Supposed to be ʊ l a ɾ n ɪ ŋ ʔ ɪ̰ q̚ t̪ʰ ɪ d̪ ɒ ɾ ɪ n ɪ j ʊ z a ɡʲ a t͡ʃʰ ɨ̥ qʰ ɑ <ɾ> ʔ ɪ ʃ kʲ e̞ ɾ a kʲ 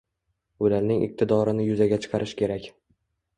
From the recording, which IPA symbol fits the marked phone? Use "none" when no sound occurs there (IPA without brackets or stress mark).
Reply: ɾ